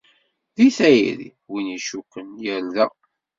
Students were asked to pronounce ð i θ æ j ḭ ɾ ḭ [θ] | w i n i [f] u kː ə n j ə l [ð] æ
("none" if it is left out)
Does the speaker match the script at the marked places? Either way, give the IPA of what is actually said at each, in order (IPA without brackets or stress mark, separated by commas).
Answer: none, ʃ, ð